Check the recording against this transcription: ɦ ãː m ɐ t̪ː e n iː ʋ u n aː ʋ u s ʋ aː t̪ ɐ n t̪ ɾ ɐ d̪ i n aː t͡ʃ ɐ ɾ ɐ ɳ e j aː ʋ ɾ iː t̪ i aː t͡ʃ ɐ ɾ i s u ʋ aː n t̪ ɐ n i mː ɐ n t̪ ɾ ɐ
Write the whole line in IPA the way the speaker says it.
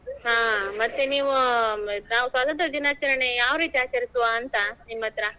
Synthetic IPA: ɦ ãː m ɐ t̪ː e n iː ʋ u n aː ʋ u s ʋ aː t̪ ɐ n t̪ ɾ ɐ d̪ i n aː t͡ʃ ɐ ɾ ɐ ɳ e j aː ʋ ɾ iː t̪ i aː t͡ʃ ɐ ɾ i s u ʋ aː n t̪ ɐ n i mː ɐ t̪ ɾ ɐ